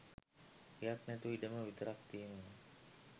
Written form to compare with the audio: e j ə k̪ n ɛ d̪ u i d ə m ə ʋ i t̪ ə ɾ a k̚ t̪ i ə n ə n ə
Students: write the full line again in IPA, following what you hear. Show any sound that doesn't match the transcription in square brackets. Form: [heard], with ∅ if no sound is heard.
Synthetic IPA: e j [a] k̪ n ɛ [t̪] u i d ə m ə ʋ i t̪ ə ɾ a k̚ t̪ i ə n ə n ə